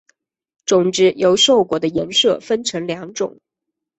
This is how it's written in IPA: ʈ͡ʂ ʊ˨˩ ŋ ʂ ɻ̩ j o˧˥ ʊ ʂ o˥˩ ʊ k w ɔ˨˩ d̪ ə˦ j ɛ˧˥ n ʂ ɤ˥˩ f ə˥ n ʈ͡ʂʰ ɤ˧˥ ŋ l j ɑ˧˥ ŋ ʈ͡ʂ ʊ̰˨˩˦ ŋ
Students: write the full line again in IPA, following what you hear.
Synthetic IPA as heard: ʈ͡ʂ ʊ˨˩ ŋ ʈ͡ʂ ɻ̩ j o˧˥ ʊ ʂ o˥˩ ʊ k w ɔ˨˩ d̪ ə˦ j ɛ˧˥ n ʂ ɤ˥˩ f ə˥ n ʈ͡ʂʰ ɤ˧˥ ŋ l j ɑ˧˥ ŋ ʈ͡ʂ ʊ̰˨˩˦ ŋ